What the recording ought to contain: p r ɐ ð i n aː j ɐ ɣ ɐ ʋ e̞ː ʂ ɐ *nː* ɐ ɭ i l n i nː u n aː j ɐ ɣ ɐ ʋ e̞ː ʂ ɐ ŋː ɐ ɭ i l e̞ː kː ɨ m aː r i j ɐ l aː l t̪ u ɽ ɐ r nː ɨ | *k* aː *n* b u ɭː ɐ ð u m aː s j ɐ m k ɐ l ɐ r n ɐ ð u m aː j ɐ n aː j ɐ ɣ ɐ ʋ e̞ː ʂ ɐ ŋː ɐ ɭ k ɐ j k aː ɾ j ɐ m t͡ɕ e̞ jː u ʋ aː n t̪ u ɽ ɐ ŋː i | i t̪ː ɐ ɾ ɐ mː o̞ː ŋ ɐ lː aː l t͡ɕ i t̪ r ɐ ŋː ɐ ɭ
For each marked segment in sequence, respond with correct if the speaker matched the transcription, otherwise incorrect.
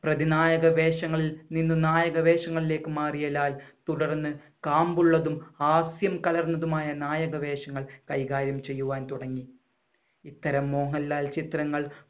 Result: incorrect, correct, incorrect

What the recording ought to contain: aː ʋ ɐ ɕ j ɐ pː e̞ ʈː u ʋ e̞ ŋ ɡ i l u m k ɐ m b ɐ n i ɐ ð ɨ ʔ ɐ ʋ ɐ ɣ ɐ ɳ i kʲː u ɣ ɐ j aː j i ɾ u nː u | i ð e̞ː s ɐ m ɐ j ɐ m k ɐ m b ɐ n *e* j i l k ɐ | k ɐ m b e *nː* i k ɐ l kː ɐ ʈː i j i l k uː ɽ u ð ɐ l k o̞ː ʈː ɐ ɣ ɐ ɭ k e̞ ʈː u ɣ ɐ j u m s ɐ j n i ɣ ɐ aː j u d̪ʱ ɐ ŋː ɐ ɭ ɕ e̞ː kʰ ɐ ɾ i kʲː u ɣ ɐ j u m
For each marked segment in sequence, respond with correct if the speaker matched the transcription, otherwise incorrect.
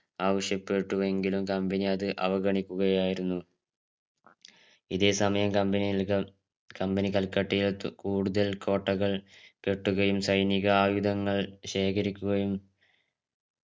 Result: incorrect, incorrect

